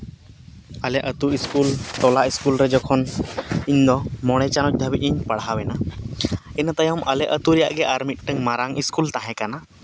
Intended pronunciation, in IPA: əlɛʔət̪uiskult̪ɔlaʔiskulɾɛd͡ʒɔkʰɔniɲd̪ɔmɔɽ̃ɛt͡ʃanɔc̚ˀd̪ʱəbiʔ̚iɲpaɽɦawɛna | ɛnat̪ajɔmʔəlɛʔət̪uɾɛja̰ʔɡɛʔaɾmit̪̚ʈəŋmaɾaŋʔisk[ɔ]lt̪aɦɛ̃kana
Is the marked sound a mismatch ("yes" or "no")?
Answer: yes